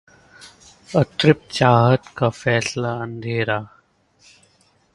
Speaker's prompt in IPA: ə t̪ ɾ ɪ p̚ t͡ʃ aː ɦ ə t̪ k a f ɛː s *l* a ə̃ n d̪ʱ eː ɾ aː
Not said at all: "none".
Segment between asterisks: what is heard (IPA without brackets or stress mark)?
l